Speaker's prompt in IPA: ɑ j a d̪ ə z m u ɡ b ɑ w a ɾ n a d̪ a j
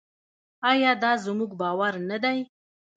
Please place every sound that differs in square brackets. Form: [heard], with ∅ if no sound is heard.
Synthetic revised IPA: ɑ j [ɑ] d̪ [ɑ] z m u ɡ b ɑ w a ɾ n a d̪ a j